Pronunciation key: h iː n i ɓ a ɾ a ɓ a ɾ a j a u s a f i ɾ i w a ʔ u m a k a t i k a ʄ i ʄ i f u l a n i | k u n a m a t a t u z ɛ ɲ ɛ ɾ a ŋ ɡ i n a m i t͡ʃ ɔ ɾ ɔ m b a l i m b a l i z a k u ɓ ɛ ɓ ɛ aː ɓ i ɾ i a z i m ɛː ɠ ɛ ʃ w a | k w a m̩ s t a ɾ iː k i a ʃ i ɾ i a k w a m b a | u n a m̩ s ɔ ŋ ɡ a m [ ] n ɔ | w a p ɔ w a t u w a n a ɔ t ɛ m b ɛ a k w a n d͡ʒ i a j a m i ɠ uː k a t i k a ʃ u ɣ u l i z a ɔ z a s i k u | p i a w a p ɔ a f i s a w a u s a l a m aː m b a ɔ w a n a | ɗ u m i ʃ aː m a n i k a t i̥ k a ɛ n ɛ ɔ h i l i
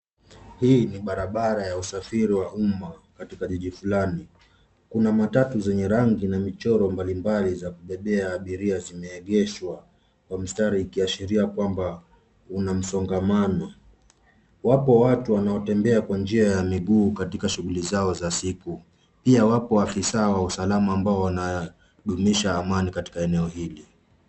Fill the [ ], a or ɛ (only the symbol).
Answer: a